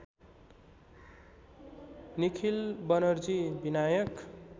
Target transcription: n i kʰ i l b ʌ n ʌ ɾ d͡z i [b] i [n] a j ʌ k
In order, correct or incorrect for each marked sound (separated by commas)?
correct, correct